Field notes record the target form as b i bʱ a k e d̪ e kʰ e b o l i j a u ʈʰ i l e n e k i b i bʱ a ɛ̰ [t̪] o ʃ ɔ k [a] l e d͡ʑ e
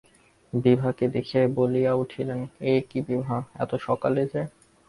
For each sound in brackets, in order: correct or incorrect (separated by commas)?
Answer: correct, correct